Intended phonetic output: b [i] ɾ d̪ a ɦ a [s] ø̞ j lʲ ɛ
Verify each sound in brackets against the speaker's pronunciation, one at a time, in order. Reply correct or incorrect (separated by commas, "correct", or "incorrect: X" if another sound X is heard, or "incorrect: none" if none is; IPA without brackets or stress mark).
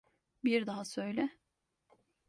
correct, correct